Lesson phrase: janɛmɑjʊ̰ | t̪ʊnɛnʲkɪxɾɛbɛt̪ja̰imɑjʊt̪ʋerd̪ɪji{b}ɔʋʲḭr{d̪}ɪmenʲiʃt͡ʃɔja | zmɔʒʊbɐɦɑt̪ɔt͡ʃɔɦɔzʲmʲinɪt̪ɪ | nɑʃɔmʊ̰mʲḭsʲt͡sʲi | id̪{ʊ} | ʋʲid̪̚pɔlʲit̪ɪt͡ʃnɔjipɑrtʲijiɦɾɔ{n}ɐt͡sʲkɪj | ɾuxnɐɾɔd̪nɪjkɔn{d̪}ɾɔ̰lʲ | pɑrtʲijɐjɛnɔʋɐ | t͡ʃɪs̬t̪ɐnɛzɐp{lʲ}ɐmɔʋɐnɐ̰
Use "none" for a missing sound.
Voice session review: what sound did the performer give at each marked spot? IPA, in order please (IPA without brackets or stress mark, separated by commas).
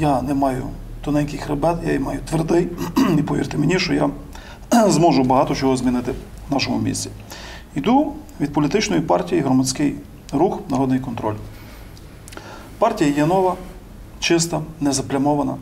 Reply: p, t̪, u, m, t̪, lʲ